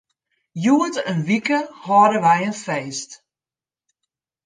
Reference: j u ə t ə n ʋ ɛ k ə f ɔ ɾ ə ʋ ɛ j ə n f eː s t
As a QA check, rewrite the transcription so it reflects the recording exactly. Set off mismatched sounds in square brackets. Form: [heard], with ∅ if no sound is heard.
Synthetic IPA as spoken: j u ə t ə n ʋ [i] k ə [h] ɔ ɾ ə ʋ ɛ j ə n f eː s t